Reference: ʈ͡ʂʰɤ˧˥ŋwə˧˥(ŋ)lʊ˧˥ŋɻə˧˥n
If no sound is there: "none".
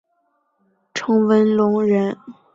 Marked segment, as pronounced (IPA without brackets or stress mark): n